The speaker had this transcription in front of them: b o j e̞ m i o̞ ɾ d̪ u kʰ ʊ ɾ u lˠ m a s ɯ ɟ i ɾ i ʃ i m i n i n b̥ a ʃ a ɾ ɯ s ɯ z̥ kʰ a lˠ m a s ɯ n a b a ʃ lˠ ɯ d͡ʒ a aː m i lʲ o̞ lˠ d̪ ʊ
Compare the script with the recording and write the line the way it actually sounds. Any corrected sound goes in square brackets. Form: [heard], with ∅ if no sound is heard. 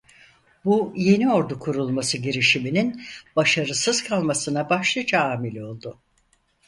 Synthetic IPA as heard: b [u] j e̞ [n] i o̞ ɾ d̪ u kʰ [u] ɾ u lˠ m a s ɯ ɟ i ɾ i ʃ i m i n i n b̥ a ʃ a ɾ ɯ s ɯ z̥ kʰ a lˠ m a s ɯ n a b a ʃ lˠ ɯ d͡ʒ a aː m i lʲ o̞ lˠ d̪ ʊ

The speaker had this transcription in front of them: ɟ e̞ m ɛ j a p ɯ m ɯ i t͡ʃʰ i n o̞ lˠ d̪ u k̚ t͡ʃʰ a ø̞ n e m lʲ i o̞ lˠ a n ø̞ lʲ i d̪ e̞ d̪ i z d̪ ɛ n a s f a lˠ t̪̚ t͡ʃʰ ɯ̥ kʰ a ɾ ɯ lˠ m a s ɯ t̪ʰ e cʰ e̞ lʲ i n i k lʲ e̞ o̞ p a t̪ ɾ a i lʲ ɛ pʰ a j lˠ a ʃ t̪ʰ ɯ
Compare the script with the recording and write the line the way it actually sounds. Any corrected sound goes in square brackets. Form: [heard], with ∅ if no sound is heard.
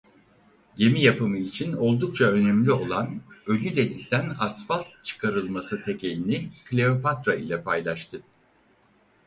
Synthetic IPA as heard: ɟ e̞ m [i] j a p ɯ m ɯ i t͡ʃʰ i n o̞ lˠ d̪ u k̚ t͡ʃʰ a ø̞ n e m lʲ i o̞ lˠ a n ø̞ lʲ [y] d̪ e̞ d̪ i z d̪ [æ] n a s f a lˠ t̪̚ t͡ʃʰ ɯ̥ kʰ a ɾ ɯ lˠ m a s ɯ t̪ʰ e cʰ e̞ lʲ i n i k lʲ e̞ o̞ p a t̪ ɾ a i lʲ ɛ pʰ a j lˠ a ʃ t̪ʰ ɯ

